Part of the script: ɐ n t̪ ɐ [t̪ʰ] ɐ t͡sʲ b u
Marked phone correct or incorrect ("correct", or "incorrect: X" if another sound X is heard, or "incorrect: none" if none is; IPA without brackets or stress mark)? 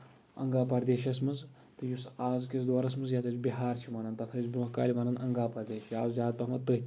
correct